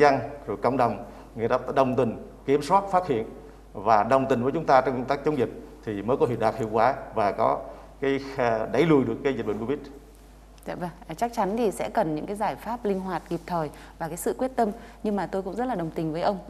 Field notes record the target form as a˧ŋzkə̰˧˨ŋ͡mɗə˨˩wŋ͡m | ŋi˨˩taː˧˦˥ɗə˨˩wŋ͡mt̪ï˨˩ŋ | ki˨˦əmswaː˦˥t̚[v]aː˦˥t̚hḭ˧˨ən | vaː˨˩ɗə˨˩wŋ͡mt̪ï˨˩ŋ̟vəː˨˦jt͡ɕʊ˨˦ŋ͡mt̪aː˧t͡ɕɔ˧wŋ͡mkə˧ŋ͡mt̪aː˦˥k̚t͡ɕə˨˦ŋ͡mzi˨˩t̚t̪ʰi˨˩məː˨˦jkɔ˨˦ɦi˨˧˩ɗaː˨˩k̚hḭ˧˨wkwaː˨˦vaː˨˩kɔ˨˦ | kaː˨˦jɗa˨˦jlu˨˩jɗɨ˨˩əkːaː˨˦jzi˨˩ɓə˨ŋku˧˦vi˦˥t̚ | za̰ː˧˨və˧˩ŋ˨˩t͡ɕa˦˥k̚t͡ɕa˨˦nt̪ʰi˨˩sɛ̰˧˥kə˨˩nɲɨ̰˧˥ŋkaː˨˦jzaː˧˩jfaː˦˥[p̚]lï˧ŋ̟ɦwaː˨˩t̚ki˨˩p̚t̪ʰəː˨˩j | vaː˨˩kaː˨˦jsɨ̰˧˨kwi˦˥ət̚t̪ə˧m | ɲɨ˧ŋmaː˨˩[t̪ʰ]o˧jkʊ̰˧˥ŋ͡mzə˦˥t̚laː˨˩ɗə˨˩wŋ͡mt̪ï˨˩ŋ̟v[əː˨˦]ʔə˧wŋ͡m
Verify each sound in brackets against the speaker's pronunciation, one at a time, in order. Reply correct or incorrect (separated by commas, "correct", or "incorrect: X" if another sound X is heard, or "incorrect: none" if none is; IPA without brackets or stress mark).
incorrect: f, correct, incorrect: t̪, correct